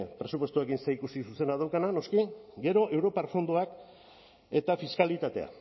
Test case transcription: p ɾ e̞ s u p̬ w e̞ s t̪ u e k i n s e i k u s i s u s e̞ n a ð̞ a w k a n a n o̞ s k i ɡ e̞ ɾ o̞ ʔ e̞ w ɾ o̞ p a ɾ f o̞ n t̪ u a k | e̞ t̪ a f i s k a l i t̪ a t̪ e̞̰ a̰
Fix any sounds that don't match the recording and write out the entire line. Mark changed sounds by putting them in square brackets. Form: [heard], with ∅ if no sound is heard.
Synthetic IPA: p ɾ e̞ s u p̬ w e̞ s t̪ u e k i n s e i k u s i s u s e̞ n a ð̞ a w k a n a n o̞ s k i ɡ e̞ ɾ o̞ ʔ e̞ w ɾ o̞ p a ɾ f o̞ n [d̪] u a k | e̞ t̪ a f i s k a l i t̪ a t̪ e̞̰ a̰

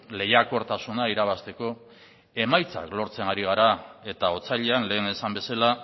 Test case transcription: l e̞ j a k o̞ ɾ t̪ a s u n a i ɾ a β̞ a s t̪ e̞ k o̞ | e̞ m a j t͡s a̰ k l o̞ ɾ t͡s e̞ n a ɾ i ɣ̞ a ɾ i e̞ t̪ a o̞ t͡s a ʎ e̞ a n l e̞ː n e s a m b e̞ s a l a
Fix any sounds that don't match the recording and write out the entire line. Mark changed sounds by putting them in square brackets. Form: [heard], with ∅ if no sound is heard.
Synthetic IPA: l e̞ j a k o̞ ɾ t̪ a s u n a i ɾ a β̞ a s t̪ e̞ k o̞ | e̞ m a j t͡s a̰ k l o̞ ɾ t͡s e̞ n a ɾ i ɣ̞ a ɾ [a] e̞ t̪ a o̞ t͡s a ʎ e̞ a n l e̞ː n e s a m b e̞ s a l a

